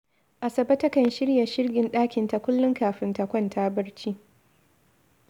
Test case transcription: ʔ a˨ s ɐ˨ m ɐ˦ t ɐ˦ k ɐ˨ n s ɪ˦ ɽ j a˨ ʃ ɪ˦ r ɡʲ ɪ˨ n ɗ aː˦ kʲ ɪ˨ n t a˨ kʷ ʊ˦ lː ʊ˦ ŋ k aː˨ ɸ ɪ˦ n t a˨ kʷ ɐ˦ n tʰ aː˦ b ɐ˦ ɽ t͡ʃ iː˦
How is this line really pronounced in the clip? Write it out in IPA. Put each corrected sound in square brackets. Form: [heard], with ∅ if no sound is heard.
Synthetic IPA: ʔ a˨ s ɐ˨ [b] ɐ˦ t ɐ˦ k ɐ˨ n [ʃ] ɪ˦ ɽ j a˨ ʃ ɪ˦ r ɡʲ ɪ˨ n ɗ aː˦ kʲ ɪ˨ n t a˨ kʷ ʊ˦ lː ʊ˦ ŋ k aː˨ ɸ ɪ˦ n t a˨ kʷ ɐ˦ n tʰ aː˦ b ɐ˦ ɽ t͡ʃ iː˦